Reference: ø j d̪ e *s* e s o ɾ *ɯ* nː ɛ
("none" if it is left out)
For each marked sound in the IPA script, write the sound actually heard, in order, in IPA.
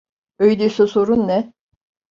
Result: s, u

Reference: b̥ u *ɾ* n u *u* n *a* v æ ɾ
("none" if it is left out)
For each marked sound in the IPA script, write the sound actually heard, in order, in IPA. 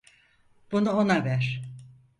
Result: none, o, a

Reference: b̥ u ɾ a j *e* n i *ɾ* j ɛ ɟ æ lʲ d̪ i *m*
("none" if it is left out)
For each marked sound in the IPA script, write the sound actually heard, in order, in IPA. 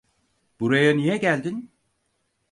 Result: a, none, n

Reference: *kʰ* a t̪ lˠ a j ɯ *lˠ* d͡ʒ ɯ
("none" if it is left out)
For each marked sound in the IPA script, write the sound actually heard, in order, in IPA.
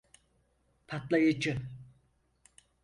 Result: pʰ, none

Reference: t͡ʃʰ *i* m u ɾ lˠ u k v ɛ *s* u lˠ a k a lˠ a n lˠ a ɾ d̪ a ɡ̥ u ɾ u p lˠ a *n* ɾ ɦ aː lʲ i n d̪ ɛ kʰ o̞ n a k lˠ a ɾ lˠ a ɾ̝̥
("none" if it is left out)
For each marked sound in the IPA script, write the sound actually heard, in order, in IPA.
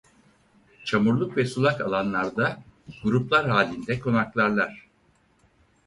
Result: a, s, none

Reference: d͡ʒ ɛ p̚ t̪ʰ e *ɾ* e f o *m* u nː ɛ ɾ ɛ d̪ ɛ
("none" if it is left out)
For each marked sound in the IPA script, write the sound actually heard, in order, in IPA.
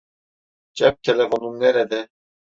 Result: l, n

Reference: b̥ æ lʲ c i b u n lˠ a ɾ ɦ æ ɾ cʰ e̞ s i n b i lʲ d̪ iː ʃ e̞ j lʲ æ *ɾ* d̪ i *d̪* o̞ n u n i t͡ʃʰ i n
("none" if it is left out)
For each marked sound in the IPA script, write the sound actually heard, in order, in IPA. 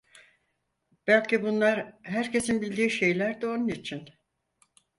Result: ɾ, none

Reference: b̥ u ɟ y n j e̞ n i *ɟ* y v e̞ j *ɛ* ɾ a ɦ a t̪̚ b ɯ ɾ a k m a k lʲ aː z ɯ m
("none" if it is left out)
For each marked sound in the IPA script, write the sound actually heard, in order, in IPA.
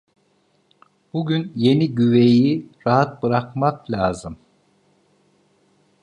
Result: ɟ, i

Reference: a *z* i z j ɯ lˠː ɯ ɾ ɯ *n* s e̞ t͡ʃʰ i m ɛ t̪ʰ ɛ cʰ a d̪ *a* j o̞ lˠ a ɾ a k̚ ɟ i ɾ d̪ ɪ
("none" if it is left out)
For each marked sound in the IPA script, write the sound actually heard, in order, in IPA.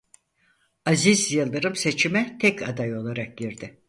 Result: z, m, a

